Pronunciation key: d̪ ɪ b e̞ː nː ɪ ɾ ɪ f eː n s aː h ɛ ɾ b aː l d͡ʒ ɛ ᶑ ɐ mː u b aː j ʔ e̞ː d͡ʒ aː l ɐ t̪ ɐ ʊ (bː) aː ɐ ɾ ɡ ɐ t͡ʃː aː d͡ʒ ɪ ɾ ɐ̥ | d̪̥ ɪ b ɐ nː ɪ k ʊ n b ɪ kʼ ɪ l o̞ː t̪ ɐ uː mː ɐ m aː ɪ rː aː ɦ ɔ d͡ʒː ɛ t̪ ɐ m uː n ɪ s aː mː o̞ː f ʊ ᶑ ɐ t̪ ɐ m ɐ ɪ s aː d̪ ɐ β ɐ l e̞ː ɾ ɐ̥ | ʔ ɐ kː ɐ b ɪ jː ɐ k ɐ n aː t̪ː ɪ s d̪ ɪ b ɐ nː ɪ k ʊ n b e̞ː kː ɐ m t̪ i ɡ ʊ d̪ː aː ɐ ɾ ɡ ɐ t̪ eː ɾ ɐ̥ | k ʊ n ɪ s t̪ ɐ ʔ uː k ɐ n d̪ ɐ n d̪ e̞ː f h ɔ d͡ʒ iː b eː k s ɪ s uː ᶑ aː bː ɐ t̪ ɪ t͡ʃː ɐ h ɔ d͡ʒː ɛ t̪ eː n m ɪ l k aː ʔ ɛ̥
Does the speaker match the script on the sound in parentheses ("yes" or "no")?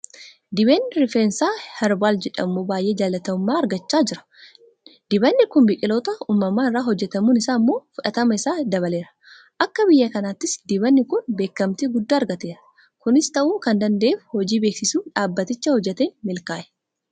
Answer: no